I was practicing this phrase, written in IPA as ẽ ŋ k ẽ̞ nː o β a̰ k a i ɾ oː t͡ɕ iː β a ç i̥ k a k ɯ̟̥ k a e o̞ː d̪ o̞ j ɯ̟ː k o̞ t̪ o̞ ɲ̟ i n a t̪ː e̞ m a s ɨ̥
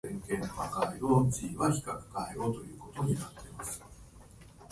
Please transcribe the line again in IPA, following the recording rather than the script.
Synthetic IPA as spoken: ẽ ŋ k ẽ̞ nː o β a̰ k a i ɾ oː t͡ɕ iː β a ç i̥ k a k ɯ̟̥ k a e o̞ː t̪ o̞ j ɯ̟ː k o̞ t̪ o̞ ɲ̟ i n a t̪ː e̞ m a s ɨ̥